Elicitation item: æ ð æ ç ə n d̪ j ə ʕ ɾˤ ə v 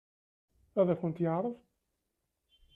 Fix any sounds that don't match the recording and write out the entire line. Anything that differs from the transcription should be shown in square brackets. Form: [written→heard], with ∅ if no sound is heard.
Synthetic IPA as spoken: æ ð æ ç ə n [d̪→t̪] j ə ʕ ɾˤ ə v